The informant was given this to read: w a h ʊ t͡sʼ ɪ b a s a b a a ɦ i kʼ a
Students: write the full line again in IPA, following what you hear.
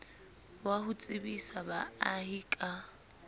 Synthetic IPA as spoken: w a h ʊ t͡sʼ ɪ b i s a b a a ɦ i kʼ a